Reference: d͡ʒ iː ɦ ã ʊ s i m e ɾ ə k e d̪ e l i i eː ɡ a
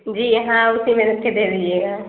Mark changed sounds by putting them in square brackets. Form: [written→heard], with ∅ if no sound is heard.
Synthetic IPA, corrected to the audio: d͡ʒ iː ɦ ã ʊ s i m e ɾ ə k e d̪ e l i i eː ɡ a